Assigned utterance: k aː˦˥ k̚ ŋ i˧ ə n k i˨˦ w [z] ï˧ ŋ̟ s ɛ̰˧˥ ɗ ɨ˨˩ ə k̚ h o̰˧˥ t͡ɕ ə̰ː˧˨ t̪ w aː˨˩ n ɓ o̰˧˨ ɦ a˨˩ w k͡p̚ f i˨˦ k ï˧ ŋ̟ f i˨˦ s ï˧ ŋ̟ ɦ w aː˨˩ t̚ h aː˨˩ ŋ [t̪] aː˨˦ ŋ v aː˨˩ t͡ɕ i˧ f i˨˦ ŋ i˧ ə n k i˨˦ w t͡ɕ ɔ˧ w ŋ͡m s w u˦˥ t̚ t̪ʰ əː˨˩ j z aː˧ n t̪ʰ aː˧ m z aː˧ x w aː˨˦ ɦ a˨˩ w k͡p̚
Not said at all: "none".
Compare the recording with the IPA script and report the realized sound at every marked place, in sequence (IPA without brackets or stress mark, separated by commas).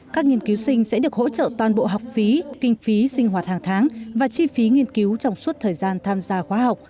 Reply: s, t̪ʰ